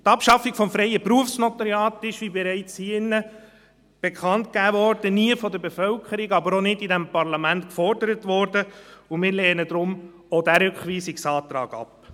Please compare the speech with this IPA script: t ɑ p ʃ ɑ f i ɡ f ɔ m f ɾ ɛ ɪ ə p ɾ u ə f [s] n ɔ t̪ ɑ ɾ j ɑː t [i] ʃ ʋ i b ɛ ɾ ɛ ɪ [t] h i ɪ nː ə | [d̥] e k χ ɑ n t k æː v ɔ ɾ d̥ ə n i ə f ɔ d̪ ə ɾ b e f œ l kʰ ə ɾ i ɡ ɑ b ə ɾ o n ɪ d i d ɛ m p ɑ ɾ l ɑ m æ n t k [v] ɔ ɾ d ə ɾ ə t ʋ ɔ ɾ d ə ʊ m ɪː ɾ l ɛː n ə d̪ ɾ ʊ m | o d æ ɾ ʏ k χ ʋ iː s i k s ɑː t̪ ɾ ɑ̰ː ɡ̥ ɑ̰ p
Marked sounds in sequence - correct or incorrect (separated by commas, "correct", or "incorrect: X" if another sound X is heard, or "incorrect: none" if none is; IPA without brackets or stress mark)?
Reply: correct, incorrect: ɪ, incorrect: t͡s, incorrect: b̥, incorrect: f